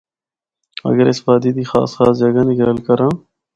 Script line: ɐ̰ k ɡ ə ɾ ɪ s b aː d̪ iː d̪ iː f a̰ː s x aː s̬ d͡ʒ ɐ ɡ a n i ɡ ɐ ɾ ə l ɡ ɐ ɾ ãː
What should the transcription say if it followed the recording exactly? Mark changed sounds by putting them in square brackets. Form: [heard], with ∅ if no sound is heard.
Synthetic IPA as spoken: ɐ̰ [∅] ɡ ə ɾ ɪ s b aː d̪ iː d̪ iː [x] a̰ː s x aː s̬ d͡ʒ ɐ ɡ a n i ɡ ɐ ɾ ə l [k] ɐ ɾ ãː